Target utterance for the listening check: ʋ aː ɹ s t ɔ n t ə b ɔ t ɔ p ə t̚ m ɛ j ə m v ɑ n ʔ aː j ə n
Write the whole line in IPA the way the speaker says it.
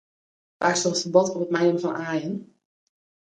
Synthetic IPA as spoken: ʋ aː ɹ s t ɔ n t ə b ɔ t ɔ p ə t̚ m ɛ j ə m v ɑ n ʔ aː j ə n